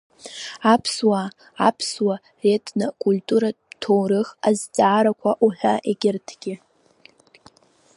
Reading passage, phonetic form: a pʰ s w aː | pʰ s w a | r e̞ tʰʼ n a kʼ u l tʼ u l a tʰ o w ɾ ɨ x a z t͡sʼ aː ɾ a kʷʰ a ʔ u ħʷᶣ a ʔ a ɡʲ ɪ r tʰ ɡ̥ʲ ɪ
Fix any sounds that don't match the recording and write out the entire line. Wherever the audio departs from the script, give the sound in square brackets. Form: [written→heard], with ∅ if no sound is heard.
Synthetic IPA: a pʰ s w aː | pʰ s w a | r e̞ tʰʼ n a kʼ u l tʼ u [l→ɾ] a tʰ o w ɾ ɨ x a z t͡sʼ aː ɾ a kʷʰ a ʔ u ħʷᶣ a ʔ [a→e] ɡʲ ɪ r tʰ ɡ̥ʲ ɪ